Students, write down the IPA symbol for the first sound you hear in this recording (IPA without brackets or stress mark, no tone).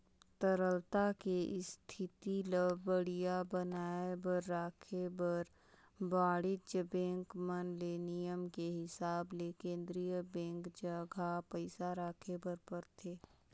t̪